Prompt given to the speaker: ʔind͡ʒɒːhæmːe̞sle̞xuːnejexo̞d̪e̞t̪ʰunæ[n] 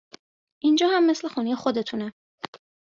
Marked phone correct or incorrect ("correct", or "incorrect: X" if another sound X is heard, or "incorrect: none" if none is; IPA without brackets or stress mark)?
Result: incorrect: none